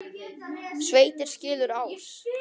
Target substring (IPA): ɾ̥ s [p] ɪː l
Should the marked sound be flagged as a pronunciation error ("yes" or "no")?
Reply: yes